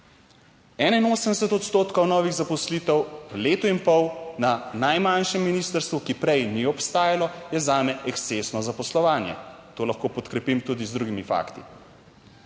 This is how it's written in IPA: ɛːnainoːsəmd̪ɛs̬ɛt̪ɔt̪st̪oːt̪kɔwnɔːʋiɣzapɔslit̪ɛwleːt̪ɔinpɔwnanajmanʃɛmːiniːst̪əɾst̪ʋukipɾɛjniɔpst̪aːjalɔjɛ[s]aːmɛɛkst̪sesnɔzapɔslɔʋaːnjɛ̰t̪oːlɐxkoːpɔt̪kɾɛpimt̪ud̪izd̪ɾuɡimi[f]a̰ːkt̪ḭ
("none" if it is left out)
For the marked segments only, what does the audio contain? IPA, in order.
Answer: z, f

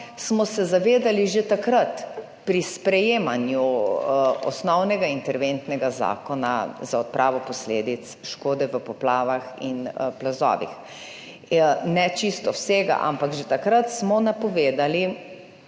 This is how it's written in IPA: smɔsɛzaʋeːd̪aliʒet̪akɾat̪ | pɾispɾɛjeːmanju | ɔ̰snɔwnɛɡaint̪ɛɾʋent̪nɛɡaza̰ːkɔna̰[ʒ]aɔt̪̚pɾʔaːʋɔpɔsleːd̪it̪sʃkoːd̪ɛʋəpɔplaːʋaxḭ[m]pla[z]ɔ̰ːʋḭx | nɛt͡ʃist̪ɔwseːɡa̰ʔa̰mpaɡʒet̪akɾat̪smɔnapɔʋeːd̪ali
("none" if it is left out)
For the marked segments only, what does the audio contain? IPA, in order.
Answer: z, n, z

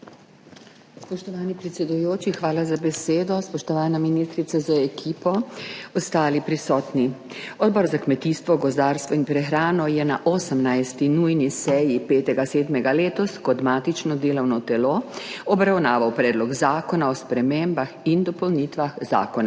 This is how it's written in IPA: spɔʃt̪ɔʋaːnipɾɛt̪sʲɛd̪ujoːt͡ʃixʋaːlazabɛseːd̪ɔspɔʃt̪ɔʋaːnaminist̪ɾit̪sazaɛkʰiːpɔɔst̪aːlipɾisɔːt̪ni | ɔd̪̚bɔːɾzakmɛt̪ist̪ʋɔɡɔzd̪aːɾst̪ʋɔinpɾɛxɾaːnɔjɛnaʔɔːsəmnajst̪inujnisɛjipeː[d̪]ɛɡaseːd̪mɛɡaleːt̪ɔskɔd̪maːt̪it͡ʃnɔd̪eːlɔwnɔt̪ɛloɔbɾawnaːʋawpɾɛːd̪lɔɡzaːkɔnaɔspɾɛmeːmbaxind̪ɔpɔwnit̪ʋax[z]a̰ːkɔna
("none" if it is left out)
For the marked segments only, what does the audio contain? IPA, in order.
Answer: t̪, z

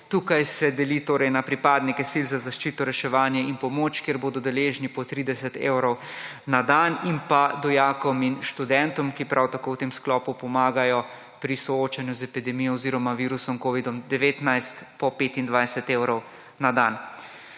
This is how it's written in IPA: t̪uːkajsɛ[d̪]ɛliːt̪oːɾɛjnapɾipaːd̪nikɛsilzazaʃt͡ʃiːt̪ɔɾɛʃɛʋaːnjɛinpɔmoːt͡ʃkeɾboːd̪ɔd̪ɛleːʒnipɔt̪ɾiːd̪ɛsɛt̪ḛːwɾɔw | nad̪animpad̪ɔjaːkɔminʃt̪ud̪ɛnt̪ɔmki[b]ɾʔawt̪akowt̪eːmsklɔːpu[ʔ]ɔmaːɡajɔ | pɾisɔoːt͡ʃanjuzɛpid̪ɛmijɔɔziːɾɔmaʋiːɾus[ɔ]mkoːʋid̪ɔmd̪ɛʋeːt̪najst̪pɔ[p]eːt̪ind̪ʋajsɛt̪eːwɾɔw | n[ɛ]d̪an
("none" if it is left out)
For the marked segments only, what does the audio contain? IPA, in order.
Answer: d̪, p, p, ɔ, p, a

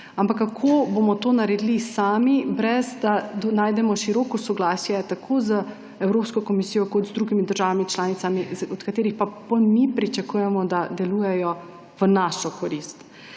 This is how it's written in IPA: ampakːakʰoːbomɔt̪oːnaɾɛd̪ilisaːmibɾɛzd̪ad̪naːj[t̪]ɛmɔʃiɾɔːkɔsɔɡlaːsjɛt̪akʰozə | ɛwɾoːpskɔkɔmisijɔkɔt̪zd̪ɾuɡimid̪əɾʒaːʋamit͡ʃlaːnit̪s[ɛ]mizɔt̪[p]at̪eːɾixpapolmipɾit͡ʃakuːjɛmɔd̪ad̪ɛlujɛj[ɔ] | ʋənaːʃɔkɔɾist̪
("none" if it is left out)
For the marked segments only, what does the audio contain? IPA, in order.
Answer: d̪, a, k, ɔ

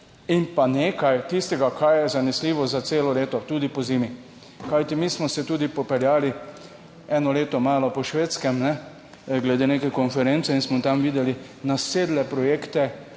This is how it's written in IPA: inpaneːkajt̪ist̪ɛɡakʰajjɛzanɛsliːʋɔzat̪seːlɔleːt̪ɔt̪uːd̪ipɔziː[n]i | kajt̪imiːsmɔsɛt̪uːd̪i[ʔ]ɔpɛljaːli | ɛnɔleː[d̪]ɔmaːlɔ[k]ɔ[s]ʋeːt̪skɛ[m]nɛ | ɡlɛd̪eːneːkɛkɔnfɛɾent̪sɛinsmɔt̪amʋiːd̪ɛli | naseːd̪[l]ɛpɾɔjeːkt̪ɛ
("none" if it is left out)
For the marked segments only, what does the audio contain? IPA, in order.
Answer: m, p, t̪, p, ʃ, m, l

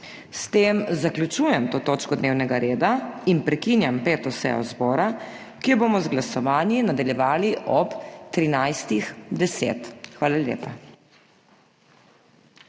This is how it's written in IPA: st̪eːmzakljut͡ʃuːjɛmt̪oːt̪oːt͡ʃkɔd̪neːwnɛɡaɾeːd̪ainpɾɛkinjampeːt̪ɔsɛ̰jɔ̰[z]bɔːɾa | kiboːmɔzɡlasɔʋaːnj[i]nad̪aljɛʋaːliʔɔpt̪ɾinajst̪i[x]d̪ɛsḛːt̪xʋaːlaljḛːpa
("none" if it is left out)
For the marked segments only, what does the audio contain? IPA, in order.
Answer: z, i, x

